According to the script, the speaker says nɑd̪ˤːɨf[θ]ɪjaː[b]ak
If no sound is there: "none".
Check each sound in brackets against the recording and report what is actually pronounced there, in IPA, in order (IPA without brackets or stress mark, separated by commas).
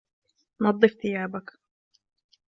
θ, b